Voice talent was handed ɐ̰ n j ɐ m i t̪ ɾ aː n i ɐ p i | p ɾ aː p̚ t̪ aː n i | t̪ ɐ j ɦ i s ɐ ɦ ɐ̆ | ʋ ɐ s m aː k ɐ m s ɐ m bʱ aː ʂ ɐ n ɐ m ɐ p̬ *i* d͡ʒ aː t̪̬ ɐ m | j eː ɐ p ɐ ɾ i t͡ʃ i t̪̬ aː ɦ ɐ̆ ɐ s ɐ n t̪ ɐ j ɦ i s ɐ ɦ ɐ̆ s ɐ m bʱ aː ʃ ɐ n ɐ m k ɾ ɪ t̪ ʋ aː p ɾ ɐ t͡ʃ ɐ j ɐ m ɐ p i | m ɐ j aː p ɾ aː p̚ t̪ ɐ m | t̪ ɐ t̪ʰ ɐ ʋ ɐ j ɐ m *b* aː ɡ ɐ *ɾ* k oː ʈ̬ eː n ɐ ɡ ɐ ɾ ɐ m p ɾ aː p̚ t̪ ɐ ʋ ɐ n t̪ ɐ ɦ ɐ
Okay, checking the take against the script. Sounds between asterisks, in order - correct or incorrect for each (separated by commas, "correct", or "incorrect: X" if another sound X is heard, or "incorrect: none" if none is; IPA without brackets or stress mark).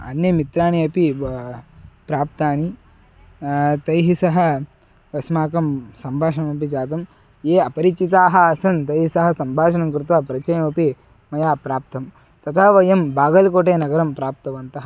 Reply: correct, correct, incorrect: l